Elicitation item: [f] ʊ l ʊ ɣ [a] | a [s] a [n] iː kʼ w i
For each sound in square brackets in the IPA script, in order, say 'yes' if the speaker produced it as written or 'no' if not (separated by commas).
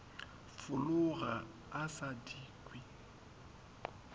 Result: yes, yes, yes, no